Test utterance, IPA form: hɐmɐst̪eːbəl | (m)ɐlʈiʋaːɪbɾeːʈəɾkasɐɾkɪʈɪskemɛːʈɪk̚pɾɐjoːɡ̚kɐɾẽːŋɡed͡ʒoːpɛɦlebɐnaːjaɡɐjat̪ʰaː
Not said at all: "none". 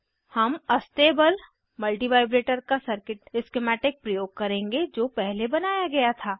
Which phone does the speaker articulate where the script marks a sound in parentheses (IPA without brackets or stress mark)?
m